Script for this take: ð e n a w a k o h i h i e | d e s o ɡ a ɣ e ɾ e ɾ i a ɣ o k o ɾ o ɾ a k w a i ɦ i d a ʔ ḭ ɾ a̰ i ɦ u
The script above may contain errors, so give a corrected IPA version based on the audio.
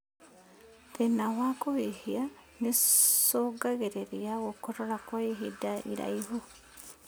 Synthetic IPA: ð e n a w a k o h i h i a | n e s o ɡ a ɣ e ɾ e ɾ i a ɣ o k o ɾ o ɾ a k w a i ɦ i d a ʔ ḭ ɾ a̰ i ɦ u

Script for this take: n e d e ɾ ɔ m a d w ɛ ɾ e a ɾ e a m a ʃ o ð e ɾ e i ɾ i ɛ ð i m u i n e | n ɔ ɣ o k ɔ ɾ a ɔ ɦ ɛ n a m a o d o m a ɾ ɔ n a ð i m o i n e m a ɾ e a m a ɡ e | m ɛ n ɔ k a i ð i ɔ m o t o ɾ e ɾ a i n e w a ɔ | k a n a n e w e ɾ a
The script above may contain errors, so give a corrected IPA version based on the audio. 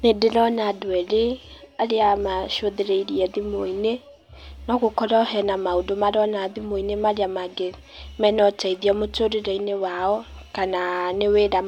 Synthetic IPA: n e d e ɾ ɔ n a d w ɛ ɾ e a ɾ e a m a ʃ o ð e ɾ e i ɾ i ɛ ð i m o i n e | n ɔ ɣ o k ɔ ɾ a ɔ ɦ ɛ n a m a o d o m a ɾ ɔ n a ð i m o i n e m a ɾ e a m a ɡ e | m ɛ n ɔ t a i ð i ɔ m o t o ɾ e ɾ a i n e w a ɔ | k a n a n e w e ɾ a

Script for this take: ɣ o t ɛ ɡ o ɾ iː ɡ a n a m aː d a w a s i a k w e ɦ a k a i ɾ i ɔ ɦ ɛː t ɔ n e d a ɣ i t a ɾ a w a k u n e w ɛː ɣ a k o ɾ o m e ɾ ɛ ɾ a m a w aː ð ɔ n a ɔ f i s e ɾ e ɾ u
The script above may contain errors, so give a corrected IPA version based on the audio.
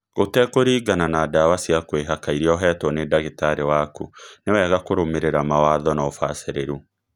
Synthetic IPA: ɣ o t ɛ k o ɾ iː ɡ a n a n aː d a w a s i a k w e ɦ a k a i ɾ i ɔ ɦ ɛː t ɔ n e d a ɣ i t a ɾ e w a k u n e w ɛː ɣ a k o ɾ o m e ɾ e ɾ a m a w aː ð ɔ n a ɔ f a s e ɾ e ɾ u

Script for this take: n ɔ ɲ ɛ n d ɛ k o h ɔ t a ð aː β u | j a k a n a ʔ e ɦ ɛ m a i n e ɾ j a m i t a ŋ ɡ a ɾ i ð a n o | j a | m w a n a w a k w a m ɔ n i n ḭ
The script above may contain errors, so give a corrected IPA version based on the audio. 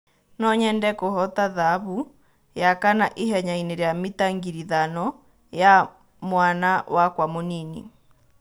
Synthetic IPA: n ɔ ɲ ɛ n d ɛ k o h ɔ t a ð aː β u | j a k a n a ʔ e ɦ ɛ ɲ a i n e ɾ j a m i t a ŋ ɡ i ɾ i ð a n ɔ | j a | m w a n a w a k w a m o n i n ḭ

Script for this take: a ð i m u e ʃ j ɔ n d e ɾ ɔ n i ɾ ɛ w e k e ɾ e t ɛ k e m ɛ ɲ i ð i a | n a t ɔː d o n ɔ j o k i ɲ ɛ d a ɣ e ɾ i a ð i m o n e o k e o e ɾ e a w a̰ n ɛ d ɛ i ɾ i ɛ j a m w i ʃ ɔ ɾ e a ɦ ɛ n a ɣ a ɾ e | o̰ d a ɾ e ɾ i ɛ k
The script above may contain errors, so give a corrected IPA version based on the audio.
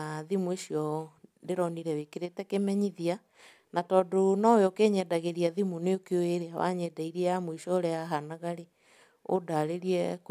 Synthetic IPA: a ð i m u e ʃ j ɔ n d e ɾ ɔ n i ɾ ɛ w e k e ɾ e t ɛ k e m ɛ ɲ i ð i a | n a t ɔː d o n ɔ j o k e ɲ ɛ d a ɣ e ɾ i a ð i m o n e o k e o e ɾ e a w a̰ ɲ ɛ d a i ɾ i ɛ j a m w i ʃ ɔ ɾ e a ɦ a n a ɣ a ɾ e | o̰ d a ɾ e ɾ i ɛ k

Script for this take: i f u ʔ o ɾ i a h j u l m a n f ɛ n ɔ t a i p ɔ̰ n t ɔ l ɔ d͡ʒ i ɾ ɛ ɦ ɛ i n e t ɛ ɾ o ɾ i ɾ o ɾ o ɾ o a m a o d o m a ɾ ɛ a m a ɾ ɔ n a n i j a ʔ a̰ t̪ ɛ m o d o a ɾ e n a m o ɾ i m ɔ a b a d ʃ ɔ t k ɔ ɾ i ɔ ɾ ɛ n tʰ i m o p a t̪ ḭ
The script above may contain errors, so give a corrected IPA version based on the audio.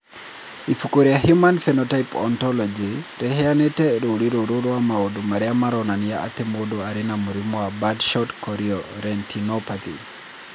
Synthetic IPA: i f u k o ɾ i a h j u m a n f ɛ n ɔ t a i p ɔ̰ n t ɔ l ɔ d͡ʒ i ɾ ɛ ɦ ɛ a n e t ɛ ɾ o ɾ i ɾ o ɾ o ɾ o a m a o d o m a ɾ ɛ a m a ɾ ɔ n a n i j a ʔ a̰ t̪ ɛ m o d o a ɾ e n a m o ɾ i m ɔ a b a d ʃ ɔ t k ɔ ɾ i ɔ ɾ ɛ n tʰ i n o p a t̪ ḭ

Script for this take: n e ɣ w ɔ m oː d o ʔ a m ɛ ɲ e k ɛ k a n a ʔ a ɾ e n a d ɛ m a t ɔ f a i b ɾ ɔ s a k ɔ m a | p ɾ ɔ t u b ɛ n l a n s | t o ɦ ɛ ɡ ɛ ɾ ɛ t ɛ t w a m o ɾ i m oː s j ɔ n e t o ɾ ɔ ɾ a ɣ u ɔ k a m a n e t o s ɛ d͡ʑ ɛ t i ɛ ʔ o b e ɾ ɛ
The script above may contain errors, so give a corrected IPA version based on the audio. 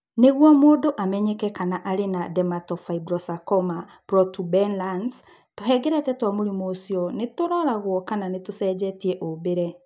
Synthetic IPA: n e ɣ w ɔ m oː d o ʔ a m ɛ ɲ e k ɛ k a n a ʔ a ɾ e n a d ɛ m a t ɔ f a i b ɾ ɔ s a k ɔ m a | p ɾ ɔ t u b ɛ n l a n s | t o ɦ ɛ ɡ ɛ ɾ ɛ t ɛ t w a m o ɾ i m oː s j ɔ n e t o ɾ ɔ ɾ a ɣ w ɔ k a n a n e t o s ɛ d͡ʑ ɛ t i ɛ ʔ o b e ɾ ɛ

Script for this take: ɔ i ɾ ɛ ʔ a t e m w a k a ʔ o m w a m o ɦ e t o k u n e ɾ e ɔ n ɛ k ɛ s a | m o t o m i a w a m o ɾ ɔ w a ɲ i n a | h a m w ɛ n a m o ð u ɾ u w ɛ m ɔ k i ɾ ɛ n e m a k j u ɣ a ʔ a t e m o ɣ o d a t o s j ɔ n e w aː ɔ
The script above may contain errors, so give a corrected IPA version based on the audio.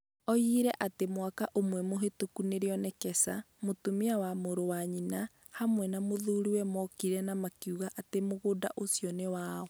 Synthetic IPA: ɔ i ɾ ɛ ʔ a t e m w a k a ʔ o m w ɛ m o ɦ e t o k u n e ɾ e ɔ n ɛ k ɛ s a | m o t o m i a w a m o ɾ o w a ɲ i n a | h a m w ɛ n a m o ð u ɾ u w ɛ m ɔ k i ɾ ɛ n a m a k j u ɣ a ʔ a t e m o ɣ o d a ʔ o s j ɔ n e w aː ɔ

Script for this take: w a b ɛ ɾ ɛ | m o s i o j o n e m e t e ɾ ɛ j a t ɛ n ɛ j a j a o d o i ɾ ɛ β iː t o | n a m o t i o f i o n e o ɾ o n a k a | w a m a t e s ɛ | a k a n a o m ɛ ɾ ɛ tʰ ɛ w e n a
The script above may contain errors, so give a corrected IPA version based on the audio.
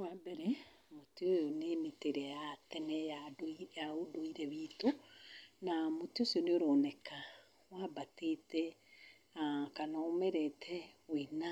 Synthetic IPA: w a b ɛ ɾ ɛ | m o t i o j o n e m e t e ɾ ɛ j a t ɛ n ɛ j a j a o d o i ɾ ɛ β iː t o | n a m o t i o s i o n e o ɾ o n ɛ k a | w a b a t e t ɛ | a k a n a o m ɛ ɾ ɛ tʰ ɛ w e n a

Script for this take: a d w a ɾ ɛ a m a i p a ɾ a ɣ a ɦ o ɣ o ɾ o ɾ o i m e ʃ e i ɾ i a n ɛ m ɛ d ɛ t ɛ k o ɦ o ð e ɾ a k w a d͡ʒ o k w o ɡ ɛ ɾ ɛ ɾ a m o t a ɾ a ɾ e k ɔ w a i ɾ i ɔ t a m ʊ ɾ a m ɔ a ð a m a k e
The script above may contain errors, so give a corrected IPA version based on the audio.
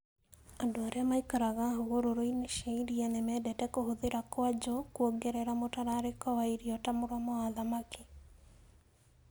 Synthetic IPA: a d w a ɾ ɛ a m a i k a ɾ a ɣ a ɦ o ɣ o ɾ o ɾ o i n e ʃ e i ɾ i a n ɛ m ɛ d ɛ t ɛ k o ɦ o ð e ɾ a k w a d͡ʒ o k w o ɡ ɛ ɾ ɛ ɾ a m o t a ɾ a ɾ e k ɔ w a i ɾ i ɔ t a m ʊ ɾ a m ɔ a ð a m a k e

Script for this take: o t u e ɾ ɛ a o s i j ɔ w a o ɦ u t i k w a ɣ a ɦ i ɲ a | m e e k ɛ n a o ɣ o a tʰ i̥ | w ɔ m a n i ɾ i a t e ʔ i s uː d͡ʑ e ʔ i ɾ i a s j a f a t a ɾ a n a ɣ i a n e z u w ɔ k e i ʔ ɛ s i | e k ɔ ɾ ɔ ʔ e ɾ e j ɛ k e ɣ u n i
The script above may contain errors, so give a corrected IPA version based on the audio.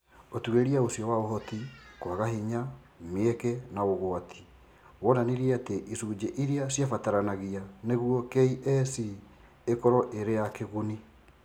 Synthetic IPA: o t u e ɾ i a o s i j ɔ w a o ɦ ɔ t i k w a ɣ a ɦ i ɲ a | m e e k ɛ n a o ɣ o a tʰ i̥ | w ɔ n a n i ɾ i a t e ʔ i s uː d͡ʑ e ʔ i ɾ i a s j a f a t a ɾ a n a ɣ i a n e ɣ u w ɔ k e i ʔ ɛ s i | e k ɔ ɾ ɔ ʔ e ɾ e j a k e ɣ u n i

